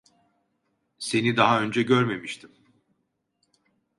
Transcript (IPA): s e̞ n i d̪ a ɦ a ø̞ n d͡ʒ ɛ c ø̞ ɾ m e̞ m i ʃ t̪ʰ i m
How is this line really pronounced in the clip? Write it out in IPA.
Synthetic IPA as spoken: s e̞ n i d̪ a ɦ a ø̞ n d͡ʒ ɛ ɟ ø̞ ɾ m e̞ m i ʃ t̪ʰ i m